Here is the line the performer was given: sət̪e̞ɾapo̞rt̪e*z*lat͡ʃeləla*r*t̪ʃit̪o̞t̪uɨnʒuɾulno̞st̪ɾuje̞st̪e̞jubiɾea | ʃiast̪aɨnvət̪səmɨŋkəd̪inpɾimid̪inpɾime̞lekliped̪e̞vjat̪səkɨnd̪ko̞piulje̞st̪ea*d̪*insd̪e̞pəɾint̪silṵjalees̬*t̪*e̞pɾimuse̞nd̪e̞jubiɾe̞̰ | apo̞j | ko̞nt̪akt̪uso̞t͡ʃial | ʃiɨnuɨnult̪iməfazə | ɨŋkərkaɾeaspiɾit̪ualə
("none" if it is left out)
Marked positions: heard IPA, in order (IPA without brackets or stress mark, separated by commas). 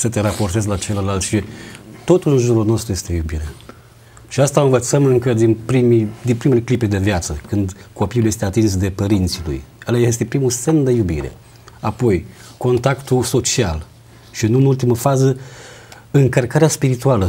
z, l, t̪, t̪